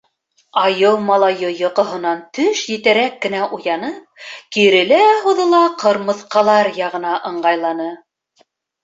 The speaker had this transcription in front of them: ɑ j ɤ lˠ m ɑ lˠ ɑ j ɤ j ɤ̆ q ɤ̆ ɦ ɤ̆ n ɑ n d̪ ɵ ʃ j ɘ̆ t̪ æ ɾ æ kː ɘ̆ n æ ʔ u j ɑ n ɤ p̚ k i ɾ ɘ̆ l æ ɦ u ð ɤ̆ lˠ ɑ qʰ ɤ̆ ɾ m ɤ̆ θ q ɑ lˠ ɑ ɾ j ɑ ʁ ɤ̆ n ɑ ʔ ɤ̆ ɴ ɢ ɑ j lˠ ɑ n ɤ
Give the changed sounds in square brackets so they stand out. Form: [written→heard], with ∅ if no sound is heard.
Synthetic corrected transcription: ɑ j ɤ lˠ m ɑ lˠ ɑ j ɤ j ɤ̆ q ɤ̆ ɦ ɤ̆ n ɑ n [d̪→t̪] ɵ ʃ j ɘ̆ t̪ æ ɾ æ kː ɘ̆ n æ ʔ u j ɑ n ɤ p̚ k i ɾ ɘ̆ l æ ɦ u ð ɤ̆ lˠ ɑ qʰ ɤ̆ ɾ m ɤ̆ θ q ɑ lˠ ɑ ɾ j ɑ ʁ ɤ̆ n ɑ ʔ ɤ̆ ɴ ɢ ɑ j lˠ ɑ n ɤ